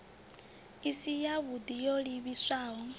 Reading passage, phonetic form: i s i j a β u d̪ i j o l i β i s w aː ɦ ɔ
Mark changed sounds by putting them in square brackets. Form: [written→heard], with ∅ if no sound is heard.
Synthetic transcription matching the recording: i s i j a β u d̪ i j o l i β i s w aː ɦ ɔ